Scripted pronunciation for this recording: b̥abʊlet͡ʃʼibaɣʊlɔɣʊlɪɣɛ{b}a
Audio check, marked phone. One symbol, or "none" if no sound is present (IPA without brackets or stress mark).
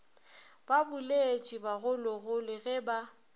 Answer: b